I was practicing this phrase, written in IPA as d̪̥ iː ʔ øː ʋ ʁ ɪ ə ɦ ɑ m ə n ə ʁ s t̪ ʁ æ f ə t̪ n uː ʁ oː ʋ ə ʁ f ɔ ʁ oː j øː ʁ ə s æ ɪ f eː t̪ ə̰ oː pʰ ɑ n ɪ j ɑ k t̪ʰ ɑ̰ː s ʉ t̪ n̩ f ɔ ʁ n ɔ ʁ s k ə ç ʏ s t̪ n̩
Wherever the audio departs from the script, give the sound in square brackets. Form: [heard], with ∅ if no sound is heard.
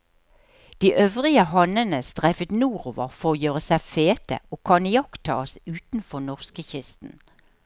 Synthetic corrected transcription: d̪̥ iː ʔ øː ʋ ʁ ɪ ə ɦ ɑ [n] ə n ə [∅] s t̪ ʁ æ f ə t̪ n uː ʁ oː ʋ ə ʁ f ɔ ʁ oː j øː ʁ ə s æ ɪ f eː t̪ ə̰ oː [kʰ] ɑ n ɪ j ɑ k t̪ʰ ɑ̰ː s [ʉː] t̪ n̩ f ɔ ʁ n ɔ ʁ s k ə ç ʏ s t̪ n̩